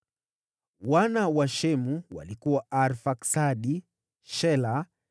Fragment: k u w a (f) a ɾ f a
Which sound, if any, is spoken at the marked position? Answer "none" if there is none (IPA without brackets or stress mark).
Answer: none